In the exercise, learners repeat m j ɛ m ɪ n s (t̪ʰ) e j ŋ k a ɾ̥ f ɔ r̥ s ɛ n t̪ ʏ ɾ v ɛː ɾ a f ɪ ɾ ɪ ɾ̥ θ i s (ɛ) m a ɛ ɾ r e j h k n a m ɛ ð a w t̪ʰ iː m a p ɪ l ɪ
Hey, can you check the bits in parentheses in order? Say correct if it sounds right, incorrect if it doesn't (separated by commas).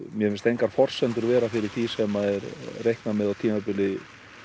incorrect, correct